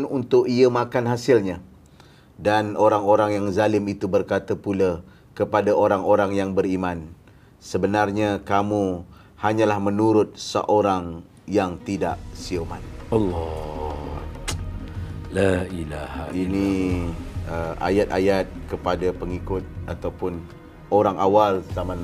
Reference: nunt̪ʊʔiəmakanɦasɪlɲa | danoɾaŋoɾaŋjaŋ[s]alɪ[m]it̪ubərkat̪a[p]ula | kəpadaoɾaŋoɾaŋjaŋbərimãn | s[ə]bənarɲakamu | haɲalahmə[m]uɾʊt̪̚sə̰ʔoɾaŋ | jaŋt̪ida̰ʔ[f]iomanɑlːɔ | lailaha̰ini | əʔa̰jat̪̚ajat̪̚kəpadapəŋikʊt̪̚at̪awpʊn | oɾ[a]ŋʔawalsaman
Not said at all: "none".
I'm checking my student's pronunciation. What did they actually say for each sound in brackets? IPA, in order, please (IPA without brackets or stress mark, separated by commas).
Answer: z, m, p, ə, n, s, a